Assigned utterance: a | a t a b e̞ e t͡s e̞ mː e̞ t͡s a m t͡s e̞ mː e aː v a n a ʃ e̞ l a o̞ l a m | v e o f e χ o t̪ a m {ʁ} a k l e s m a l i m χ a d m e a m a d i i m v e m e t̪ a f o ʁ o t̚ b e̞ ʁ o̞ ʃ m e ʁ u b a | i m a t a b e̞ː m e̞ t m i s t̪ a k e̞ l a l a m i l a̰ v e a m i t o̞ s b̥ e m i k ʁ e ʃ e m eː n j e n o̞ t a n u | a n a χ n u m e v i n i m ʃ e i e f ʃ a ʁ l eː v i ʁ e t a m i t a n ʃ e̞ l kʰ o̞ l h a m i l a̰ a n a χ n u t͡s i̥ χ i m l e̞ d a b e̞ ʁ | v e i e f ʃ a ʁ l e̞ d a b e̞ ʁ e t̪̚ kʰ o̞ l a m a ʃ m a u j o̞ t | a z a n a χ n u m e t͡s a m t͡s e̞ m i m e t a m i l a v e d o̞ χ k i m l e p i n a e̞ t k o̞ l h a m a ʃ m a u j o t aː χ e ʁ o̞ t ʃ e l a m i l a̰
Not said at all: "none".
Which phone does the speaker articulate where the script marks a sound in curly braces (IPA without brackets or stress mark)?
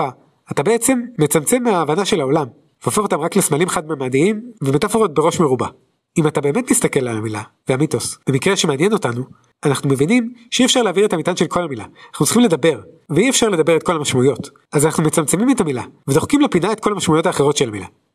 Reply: ʁ